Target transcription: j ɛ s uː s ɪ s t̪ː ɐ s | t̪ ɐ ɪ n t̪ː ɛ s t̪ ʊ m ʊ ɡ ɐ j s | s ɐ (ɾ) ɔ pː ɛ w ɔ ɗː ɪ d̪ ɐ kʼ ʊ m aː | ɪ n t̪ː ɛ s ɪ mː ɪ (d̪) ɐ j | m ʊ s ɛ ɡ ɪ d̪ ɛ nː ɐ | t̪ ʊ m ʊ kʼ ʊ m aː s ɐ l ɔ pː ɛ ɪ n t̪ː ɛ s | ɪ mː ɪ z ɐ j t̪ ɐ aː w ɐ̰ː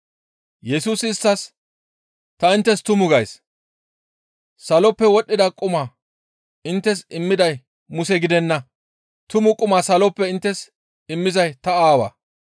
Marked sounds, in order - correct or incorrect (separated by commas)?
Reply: incorrect, correct